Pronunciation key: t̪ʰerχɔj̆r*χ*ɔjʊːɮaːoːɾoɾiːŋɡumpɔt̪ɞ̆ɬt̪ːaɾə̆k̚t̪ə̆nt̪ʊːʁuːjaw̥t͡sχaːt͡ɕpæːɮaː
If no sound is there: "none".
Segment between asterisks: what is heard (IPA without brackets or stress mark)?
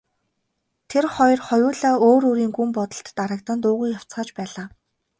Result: χ